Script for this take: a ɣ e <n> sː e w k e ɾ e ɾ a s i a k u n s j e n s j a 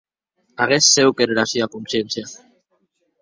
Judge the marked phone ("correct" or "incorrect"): incorrect